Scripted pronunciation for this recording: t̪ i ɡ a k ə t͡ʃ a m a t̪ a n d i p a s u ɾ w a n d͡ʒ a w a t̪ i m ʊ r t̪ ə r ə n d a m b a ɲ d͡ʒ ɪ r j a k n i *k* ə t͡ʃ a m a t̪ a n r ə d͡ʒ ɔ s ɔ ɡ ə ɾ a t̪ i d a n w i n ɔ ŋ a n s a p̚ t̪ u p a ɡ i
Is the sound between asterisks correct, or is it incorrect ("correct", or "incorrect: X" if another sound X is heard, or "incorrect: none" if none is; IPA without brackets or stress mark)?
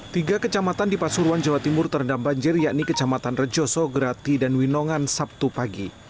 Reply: correct